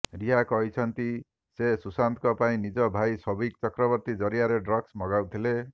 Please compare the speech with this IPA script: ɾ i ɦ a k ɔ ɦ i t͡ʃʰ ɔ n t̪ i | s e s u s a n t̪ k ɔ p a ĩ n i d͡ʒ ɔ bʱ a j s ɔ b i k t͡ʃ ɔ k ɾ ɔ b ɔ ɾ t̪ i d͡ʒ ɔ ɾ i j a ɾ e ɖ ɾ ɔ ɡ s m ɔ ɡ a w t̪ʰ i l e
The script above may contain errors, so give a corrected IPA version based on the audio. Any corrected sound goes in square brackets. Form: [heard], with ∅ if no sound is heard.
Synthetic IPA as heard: ɾ i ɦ a k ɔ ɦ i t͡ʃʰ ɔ n t̪ i | s e s u s a n t̪ k ɔ p a ĩ n i d͡ʒ ɔ bʱ a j s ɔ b i k t͡ʃ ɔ k ɾ ɔ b ɔ ɾ t̪ i d͡ʒ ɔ ɾ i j a ɾ e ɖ ɾ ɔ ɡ s m ɔ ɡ a w t̪ʰ i l e